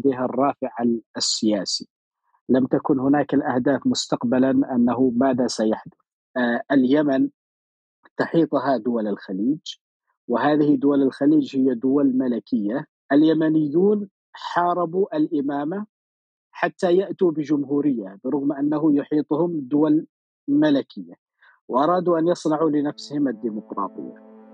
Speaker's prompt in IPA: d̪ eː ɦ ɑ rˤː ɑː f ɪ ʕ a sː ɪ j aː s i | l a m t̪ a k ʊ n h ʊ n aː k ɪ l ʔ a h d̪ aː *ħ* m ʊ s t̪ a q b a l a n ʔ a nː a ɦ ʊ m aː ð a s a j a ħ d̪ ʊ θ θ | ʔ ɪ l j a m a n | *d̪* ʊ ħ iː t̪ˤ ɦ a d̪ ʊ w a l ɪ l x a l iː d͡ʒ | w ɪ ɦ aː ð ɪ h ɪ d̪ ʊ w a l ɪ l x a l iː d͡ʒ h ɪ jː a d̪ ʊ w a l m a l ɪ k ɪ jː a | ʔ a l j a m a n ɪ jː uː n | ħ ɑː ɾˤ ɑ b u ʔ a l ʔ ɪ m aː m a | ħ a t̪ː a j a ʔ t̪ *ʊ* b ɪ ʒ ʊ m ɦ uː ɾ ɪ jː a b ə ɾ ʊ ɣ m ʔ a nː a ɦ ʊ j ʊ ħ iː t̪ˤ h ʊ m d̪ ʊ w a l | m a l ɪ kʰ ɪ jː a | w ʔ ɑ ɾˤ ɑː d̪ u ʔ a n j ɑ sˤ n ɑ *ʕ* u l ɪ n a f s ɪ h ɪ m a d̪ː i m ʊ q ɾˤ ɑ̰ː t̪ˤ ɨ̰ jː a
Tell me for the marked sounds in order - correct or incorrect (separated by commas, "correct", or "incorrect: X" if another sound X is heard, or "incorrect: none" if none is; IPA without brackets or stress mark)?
incorrect: f, incorrect: t̪, incorrect: u, correct